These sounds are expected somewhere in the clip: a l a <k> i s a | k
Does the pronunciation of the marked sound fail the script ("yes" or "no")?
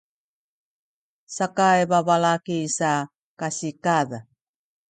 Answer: no